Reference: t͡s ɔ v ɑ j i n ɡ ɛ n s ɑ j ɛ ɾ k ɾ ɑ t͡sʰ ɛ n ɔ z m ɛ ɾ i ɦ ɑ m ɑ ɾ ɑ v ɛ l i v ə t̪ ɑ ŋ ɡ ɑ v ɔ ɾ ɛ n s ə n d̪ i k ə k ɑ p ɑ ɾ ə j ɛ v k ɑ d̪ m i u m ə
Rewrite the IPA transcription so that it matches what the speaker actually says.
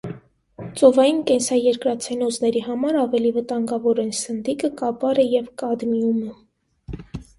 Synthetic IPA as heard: t͡s ɔ v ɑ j i n k ɛ n s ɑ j ɛ ɾ k ɾ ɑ t͡sʰ ɛ n ɔ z n ɛ ɾ i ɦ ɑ m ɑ ɾ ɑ v ɛ l i v ə t̪ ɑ ŋ ɡ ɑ v ɔ ɾ ɛ n s ə n d̪ i k ə k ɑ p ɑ ɾ ə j ɛ v k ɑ d̪ m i u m ə